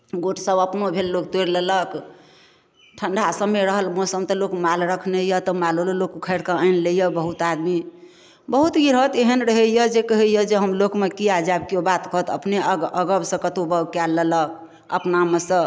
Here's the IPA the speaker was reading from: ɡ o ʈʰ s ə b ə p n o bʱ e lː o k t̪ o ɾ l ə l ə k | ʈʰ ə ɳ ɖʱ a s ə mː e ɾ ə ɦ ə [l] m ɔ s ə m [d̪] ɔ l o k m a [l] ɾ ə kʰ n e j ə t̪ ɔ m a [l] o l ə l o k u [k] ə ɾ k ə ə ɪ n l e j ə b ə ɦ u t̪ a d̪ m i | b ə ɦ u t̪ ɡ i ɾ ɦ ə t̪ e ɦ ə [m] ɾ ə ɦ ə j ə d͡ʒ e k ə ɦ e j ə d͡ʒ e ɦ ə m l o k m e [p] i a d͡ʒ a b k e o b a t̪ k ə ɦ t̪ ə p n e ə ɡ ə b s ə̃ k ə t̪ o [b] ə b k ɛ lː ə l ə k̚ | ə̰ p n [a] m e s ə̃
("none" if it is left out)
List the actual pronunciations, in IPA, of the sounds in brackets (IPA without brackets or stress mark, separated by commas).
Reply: l, t̪, l, l, kʰ, n, k, b, a